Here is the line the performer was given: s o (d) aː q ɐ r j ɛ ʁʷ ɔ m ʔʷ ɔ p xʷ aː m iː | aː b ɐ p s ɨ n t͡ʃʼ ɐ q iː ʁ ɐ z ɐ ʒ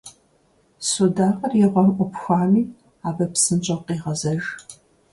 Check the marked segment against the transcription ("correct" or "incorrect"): correct